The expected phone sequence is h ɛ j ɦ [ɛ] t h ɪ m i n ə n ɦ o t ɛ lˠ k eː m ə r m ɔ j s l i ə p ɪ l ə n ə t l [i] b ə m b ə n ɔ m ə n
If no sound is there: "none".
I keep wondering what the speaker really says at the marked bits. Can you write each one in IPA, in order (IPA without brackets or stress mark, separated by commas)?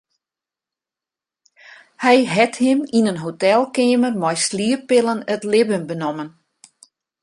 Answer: ɛ, ɪ